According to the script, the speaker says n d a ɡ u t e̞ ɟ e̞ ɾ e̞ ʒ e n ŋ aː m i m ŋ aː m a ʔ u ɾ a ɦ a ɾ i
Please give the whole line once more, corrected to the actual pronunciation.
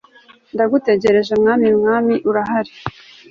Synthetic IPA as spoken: n d a ɡ u t e̞ ɟ e̞ ɾ e̞ ʒ e m ŋ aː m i m ŋ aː m i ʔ u ɾ a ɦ a ɾ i